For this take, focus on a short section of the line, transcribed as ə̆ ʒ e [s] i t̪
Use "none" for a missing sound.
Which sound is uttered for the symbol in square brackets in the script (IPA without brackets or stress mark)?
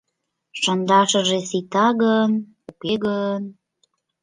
s